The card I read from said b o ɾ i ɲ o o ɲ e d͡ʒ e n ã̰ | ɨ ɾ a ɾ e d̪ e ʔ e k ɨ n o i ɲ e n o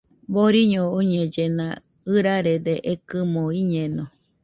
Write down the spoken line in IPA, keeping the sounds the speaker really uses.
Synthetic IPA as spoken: b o ɾ i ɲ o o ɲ e d͡ʒ e n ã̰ | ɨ ɾ a ɾ e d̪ e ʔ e k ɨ m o i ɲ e n o